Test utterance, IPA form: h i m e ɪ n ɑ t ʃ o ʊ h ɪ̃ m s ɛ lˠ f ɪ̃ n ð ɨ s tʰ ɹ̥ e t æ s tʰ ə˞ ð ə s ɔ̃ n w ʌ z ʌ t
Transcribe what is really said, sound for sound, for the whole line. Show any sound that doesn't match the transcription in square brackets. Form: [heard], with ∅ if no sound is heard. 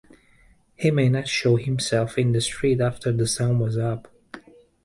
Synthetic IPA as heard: h i m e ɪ n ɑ t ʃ o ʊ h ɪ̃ m s ɛ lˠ f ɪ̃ n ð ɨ s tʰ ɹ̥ [i] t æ [f] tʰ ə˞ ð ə s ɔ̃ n w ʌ z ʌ [p]